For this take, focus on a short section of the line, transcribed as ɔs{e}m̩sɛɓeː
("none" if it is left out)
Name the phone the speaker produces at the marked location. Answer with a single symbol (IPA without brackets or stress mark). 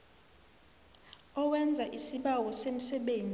e